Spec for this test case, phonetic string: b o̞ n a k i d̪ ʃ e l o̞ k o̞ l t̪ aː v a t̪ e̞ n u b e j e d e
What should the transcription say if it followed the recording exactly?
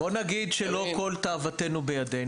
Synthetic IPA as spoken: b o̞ n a ɡ i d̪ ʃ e l o̞ k o̞ l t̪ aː v a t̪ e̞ n u b e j a d e